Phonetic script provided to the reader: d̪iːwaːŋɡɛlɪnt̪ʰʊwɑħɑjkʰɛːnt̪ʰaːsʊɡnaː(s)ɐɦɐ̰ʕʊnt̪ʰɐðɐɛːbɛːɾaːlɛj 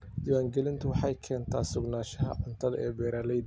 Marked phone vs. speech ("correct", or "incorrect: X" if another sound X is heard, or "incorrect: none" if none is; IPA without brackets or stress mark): incorrect: ʃ